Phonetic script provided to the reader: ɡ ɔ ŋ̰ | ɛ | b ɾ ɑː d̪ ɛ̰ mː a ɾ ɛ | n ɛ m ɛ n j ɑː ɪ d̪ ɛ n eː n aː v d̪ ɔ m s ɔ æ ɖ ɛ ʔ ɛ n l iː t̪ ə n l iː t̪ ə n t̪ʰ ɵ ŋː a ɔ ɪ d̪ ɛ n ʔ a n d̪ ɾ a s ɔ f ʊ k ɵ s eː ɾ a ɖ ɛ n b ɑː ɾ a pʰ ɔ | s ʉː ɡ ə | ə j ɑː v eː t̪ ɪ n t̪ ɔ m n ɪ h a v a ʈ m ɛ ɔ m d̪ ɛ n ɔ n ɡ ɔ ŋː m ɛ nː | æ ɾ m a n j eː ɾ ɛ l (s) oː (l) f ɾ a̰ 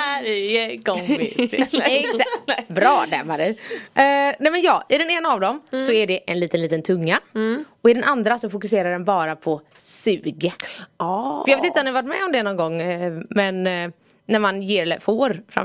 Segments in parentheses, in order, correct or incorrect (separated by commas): incorrect, incorrect